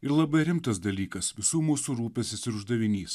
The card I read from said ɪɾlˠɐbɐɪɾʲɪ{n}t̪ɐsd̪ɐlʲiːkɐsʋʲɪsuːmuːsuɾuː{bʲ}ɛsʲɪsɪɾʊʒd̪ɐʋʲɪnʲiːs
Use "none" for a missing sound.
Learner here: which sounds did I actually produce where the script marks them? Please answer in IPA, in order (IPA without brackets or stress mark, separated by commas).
m, pʲ